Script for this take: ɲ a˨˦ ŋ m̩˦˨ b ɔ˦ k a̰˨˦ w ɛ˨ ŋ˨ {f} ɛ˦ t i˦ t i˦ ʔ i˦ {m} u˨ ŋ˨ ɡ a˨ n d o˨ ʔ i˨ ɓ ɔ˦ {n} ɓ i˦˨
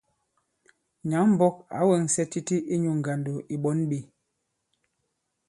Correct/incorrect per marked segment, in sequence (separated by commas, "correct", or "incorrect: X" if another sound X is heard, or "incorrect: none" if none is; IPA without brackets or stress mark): incorrect: s, incorrect: ɲ, correct